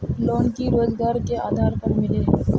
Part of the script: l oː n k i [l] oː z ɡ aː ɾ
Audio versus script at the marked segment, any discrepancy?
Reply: yes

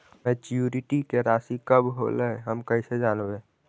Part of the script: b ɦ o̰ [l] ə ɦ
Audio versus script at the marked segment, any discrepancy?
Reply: no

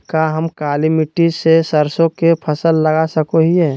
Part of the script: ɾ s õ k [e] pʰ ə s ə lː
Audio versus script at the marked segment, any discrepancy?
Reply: no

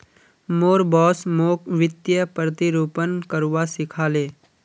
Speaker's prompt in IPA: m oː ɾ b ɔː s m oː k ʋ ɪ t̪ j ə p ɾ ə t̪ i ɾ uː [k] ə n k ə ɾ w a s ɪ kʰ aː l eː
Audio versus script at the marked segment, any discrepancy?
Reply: yes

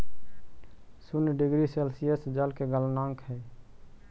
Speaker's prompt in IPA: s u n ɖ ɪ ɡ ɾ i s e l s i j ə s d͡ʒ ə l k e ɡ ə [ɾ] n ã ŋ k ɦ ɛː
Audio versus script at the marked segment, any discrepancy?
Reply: yes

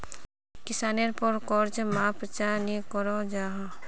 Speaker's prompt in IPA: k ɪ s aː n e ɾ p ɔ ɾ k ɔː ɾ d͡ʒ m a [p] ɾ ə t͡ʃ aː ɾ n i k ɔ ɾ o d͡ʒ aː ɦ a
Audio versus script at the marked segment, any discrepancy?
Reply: no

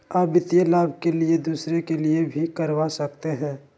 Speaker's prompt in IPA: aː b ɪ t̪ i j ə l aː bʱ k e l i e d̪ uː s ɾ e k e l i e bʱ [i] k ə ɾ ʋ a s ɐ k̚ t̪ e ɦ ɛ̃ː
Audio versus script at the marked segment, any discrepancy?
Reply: no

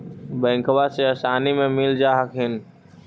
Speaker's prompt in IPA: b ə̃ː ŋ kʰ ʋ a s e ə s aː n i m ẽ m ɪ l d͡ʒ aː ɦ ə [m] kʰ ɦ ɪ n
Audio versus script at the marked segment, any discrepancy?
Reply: yes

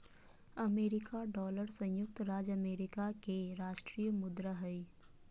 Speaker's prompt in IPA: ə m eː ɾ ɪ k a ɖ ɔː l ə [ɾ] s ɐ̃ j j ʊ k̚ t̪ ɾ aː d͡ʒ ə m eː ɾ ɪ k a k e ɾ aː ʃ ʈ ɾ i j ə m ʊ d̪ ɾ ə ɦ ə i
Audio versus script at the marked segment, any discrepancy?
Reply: no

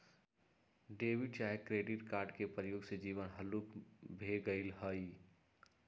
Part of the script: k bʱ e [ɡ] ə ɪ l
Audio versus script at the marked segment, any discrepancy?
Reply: no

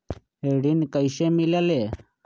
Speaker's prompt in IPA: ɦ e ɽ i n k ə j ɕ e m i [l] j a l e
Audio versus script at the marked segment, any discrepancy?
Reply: no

